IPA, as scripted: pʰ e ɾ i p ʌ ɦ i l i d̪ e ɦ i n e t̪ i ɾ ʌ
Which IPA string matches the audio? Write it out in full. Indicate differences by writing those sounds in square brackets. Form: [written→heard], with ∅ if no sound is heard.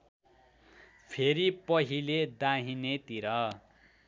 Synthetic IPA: pʰ e ɾ i p ʌ ɦ i l [i→e] d̪ [e→a] ɦ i n e t̪ i ɾ ʌ